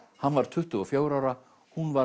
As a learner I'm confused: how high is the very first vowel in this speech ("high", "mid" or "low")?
low